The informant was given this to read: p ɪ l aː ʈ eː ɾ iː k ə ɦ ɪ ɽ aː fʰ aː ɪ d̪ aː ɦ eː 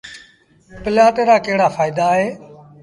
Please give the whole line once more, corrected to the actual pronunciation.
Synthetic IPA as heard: p ɪ l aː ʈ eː ɾ aː k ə ɦ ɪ ɽ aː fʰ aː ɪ d̪ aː ɦ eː

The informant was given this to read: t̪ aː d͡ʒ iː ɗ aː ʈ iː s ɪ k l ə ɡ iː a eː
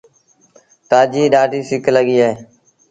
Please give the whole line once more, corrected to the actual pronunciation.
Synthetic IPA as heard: t̪ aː d͡ʒ iː ɗ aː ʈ iː s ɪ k l ə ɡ iː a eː

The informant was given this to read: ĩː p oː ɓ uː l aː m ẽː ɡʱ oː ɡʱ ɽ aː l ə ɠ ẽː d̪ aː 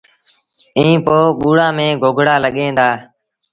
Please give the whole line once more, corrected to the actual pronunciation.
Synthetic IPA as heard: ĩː p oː ɓ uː ɽ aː m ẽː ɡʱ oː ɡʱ ɽ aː l ə ɠ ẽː d̪ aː

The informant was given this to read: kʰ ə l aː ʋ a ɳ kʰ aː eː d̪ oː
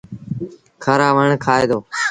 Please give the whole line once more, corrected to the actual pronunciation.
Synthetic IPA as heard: kʰ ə ɾ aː ʋ ə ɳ kʰ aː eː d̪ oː

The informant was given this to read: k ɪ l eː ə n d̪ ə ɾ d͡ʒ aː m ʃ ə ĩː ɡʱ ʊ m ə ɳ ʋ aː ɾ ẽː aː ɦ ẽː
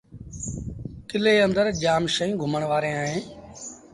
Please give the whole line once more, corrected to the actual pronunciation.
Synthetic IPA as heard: k ɪ l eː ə n d̪ ə ɾ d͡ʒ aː m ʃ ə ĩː ɡʱ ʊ m ə ɳ ʋ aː ɾ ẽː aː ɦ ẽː

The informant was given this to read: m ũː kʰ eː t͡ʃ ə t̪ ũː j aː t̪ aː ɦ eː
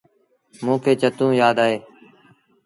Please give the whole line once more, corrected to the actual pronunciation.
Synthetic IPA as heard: m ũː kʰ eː t͡ʃ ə t̪ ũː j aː d̪ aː ɦ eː

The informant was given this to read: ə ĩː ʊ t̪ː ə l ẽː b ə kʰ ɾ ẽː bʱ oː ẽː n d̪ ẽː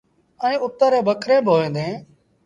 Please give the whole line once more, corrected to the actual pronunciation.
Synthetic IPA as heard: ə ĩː ʊ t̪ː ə ɾ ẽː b ə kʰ ɾ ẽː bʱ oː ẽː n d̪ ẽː

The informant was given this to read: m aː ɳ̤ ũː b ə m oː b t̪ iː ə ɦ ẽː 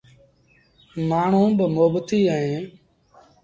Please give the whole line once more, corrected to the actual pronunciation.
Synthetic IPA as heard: m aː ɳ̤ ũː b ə m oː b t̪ iː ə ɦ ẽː

